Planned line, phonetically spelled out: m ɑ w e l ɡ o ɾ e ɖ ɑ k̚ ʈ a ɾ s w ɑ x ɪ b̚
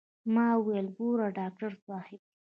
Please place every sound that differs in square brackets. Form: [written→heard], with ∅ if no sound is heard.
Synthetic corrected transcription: m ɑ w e l ɡ o ɾ [e→a] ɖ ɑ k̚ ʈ a ɾ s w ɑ [x→h] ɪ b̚